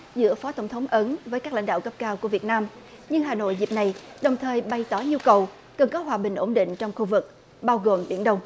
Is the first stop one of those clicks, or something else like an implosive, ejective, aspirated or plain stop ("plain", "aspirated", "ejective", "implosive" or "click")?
plain